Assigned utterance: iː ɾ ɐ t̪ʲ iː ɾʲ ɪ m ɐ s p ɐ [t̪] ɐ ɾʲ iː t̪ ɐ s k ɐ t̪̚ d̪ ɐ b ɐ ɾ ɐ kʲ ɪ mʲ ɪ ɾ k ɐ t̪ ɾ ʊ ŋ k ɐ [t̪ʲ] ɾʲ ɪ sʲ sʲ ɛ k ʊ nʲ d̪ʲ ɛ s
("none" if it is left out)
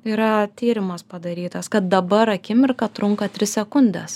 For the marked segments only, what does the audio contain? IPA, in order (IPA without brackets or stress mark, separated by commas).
d̪, t̪ʲ